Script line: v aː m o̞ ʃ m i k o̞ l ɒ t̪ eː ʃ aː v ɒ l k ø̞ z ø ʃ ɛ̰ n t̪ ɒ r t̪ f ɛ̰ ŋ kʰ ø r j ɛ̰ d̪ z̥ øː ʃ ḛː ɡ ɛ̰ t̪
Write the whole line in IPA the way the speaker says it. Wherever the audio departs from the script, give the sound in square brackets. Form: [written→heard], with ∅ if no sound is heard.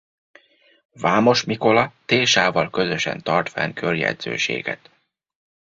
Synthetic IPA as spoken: v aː m o̞ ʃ m i k o̞ l ɒ t̪ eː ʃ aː v ɒ l k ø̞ z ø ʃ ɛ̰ n t̪ ɒ r t̪ f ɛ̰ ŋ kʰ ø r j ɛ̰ d̪ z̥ øː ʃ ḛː ɡ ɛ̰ t̪